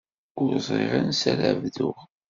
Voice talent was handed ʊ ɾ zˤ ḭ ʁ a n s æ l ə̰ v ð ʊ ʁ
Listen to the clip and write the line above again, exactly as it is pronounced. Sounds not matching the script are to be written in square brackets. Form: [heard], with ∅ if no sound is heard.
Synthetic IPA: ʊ ɾ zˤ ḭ ʁ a n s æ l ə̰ v ð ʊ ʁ

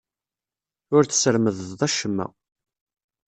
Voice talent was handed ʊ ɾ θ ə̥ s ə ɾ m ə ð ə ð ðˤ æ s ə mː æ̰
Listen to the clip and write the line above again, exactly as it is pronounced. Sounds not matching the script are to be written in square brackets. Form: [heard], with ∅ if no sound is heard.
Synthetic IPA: ʊ ɾ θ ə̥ s ə ɾ m ə ð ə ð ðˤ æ [ʃ] ə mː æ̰

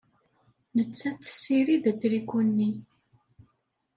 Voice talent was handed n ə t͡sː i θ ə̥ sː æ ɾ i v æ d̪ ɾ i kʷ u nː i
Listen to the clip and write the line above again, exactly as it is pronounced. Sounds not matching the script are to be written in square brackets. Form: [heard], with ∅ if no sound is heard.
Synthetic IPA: n ə t͡sː [æ] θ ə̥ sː [i] ɾ i [ð] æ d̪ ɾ i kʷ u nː i

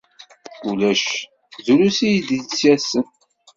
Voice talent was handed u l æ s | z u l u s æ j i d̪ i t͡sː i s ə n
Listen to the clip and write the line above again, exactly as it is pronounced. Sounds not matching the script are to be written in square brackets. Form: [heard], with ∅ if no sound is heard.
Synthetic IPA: u l æ [ʃ] | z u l u s [i] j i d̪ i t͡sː [æ] s ə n

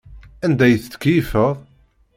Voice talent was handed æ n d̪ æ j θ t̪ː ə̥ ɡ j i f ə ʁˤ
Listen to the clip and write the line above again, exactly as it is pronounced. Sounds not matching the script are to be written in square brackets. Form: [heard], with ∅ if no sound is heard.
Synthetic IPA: æ n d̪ æ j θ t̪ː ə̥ [k] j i f ə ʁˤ

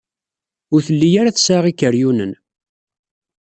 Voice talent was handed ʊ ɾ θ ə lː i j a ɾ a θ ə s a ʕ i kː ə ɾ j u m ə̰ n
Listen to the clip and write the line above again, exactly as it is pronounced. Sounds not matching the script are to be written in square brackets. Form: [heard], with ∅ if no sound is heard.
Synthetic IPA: ʊ ɾ θ ə lː i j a ɾ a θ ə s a [ʁ] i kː ə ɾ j u [n] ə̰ n

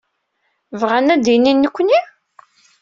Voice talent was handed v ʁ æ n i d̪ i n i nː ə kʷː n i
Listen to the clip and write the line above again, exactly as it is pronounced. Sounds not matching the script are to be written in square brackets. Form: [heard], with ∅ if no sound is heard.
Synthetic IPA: v ʁ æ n [æ] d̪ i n i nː ə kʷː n i

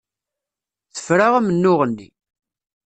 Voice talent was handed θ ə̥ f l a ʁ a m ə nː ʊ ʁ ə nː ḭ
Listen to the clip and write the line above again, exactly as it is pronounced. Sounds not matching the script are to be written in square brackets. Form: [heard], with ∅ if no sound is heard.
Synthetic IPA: θ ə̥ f [ɾ] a ʁ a m ə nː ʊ ʁ ə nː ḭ

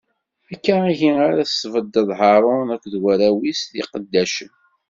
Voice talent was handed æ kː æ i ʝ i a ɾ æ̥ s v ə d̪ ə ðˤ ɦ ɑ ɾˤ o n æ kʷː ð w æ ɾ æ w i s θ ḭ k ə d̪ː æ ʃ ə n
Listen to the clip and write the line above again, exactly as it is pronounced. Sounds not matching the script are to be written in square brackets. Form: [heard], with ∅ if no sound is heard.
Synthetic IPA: æ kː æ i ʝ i a ɾ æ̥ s v ə d̪ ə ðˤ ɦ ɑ ɾˤ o n æ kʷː ð w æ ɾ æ w i s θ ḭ [q] ə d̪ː æ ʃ ə n

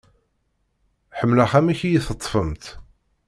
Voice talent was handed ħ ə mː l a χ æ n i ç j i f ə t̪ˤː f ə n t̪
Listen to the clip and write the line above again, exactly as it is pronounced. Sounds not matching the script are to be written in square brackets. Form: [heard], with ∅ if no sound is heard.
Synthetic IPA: ħ ə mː l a χ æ [m] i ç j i [θ] ə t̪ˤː f ə [m] t̪

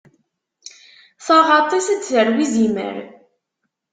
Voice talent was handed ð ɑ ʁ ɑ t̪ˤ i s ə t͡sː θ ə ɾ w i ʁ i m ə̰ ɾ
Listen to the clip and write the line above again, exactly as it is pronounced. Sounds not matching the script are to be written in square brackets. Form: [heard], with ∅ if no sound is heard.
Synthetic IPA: [θ] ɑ ʁ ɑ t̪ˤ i s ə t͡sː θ ə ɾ w i [z] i m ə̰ ɾ

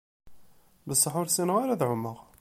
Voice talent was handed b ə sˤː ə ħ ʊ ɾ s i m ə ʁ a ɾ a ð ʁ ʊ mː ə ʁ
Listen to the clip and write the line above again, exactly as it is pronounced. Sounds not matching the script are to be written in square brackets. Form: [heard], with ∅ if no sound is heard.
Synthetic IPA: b ə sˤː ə ħ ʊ ɾ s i [n] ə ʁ a ɾ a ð [ʕ] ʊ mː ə ʁ

